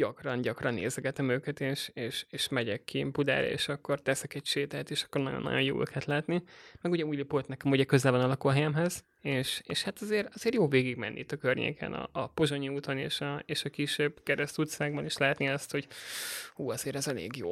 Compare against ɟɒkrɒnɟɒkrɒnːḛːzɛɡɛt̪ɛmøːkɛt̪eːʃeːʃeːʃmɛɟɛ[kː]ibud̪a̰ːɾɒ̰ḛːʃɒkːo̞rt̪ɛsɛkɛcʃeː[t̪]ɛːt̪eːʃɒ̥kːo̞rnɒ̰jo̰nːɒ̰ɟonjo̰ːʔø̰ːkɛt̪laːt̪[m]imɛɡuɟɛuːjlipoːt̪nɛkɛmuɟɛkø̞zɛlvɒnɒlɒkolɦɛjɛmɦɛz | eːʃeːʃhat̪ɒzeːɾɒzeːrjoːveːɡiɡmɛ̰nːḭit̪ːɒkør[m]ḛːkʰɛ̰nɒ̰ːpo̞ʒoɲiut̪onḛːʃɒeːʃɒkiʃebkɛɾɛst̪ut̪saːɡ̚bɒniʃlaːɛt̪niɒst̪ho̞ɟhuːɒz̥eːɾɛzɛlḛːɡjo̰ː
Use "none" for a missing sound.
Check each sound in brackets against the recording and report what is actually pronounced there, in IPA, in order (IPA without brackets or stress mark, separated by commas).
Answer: kː, t̪, n, ɲ